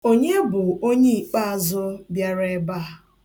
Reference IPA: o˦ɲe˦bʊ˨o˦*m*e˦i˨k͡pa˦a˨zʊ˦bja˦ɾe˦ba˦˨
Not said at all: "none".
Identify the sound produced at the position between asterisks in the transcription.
ɲ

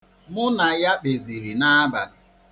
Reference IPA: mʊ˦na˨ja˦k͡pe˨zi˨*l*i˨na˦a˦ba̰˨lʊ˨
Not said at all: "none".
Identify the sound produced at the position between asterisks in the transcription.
ɾ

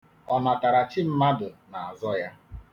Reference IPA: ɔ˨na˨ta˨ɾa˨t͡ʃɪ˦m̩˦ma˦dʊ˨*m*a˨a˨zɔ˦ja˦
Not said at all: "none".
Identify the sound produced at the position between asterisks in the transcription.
n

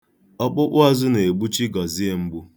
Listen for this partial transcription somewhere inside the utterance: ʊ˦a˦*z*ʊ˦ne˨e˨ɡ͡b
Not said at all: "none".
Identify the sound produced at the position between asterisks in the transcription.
z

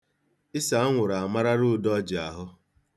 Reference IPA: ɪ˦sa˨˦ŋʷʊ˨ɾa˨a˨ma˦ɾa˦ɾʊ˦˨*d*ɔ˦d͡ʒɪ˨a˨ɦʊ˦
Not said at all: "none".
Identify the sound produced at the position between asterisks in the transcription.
d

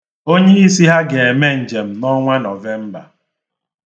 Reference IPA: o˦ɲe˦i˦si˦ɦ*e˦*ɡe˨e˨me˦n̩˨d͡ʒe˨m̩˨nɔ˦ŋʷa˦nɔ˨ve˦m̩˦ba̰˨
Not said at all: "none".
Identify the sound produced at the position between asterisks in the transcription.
a˦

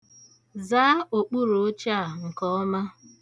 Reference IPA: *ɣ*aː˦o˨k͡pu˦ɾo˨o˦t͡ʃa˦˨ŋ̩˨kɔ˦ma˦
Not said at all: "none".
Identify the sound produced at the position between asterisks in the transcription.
z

